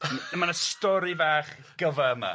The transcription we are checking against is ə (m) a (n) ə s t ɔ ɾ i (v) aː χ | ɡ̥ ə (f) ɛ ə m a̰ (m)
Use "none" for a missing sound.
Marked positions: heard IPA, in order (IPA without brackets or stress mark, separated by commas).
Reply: m, n, v, v, none